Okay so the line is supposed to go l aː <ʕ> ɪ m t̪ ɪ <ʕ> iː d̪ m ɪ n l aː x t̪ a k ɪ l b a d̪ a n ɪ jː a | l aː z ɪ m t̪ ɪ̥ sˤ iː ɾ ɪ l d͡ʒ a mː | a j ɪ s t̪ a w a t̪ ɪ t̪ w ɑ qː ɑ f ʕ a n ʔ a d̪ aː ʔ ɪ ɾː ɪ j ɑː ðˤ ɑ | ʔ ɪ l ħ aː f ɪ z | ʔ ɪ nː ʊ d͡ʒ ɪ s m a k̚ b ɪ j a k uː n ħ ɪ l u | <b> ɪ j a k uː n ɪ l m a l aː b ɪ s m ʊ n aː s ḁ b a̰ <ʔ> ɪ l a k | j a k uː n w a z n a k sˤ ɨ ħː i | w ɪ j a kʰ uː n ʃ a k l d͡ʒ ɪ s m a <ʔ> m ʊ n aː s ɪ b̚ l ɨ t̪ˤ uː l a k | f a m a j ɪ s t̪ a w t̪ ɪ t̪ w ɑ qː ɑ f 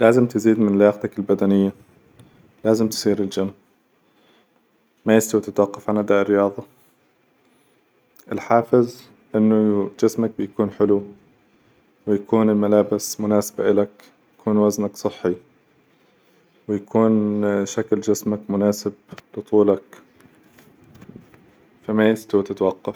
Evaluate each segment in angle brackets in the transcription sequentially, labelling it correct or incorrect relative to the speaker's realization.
incorrect: z, incorrect: z, incorrect: w, correct, incorrect: k

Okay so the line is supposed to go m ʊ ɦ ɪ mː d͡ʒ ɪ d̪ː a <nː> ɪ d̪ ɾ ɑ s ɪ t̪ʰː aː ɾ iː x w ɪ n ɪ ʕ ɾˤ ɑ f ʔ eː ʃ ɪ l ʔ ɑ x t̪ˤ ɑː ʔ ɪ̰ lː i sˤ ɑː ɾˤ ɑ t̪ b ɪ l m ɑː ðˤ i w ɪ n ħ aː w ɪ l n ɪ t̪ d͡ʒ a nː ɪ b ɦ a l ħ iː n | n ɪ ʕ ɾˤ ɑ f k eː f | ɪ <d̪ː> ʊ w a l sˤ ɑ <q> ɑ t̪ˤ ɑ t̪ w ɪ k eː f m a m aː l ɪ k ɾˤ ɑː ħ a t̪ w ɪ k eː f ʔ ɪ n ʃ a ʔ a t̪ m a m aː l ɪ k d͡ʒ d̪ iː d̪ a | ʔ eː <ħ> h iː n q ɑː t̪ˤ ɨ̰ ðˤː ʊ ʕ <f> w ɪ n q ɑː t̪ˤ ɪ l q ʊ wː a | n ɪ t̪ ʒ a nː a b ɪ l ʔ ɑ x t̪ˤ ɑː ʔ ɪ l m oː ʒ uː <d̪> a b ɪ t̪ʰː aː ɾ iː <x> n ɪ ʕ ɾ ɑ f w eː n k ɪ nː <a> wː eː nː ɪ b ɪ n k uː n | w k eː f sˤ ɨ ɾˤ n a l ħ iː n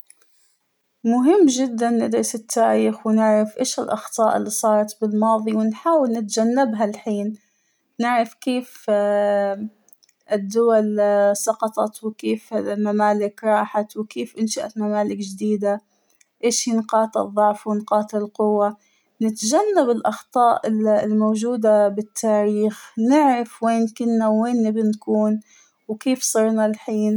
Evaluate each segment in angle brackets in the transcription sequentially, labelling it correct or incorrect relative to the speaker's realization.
correct, correct, correct, incorrect: ʃ, correct, correct, correct, correct

